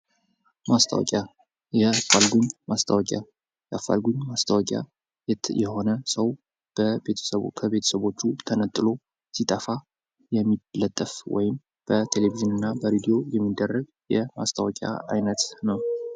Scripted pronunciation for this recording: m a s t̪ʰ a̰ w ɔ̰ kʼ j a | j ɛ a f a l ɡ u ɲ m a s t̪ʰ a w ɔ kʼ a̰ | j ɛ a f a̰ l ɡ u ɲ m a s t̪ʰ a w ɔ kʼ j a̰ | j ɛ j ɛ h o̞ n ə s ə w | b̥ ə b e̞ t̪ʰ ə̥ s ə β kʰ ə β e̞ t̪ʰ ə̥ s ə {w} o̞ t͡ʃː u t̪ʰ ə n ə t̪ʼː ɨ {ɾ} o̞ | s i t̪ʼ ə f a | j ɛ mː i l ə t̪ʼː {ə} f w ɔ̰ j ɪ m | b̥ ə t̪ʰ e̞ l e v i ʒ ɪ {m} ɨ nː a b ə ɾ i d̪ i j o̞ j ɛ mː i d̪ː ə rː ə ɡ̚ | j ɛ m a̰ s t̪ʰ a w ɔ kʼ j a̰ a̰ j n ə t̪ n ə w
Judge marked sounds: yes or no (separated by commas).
no, no, yes, no